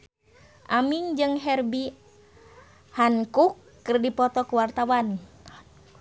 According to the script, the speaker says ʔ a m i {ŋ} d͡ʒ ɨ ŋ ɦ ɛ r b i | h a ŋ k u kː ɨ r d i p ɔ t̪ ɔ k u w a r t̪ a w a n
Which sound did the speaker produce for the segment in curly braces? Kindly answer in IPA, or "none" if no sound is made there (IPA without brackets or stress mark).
ŋ